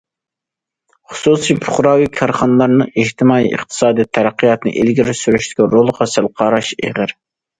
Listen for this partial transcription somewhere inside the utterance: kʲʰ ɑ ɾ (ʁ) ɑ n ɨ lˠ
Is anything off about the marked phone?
yes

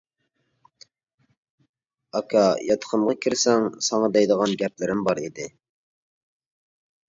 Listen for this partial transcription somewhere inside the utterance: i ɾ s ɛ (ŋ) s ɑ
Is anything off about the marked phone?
no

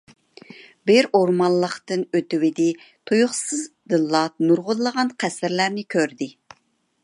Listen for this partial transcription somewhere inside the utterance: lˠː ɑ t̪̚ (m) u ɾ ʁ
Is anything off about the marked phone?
yes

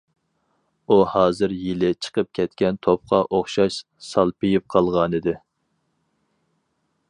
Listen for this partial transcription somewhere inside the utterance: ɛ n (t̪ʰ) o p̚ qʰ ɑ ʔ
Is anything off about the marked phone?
no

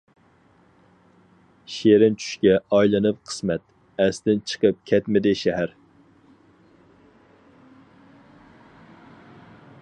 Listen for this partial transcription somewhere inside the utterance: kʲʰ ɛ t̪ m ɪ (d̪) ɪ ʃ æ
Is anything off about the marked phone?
no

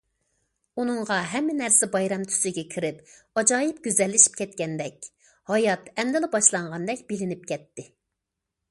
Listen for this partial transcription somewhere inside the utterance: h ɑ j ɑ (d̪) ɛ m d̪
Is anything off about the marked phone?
yes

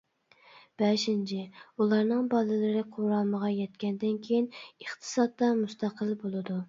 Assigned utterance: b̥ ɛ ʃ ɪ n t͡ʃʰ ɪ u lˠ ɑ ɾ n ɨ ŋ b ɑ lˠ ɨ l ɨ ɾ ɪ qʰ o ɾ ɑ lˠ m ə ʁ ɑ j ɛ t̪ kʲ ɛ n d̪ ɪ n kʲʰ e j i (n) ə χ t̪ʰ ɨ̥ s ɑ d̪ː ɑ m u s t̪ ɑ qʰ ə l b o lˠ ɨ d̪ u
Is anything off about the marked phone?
no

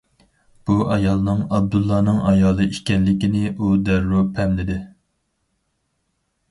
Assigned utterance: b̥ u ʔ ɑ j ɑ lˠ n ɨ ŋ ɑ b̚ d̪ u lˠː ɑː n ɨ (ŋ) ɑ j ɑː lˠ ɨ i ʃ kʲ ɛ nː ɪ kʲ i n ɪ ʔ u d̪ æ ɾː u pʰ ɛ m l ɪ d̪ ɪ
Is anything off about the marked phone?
no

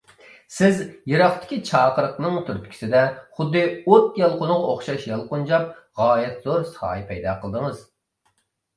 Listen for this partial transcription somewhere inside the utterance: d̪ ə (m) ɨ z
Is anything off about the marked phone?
yes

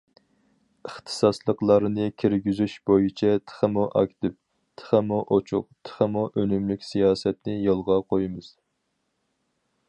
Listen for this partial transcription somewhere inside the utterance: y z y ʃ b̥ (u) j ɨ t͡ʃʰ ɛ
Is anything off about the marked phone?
yes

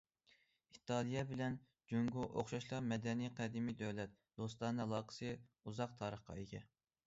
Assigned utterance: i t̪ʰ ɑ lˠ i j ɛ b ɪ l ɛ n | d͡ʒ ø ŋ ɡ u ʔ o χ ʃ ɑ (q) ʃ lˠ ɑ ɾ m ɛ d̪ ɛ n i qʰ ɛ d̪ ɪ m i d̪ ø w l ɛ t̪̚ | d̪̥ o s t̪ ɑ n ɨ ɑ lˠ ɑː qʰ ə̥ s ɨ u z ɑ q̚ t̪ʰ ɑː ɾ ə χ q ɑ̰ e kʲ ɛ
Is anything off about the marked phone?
yes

